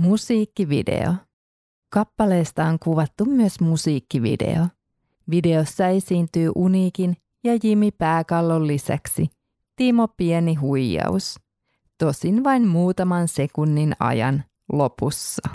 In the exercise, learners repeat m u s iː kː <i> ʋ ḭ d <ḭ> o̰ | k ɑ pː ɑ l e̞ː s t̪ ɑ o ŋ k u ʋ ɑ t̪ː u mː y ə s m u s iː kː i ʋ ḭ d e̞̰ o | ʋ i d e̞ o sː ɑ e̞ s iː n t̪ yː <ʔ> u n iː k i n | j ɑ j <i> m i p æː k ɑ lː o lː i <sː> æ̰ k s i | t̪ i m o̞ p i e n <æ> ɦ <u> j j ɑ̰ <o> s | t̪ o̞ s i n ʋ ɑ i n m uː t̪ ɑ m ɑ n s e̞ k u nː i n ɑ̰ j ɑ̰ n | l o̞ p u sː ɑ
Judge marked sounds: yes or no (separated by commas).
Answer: yes, no, yes, yes, no, no, yes, no